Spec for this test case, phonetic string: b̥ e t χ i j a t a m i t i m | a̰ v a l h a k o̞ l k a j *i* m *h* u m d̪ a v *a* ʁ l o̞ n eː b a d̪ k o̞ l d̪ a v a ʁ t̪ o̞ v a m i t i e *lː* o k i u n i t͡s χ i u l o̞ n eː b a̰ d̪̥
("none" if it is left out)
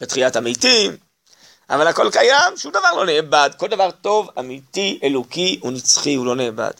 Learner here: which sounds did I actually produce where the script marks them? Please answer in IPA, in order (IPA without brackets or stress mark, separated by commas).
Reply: a, ʃ, a, l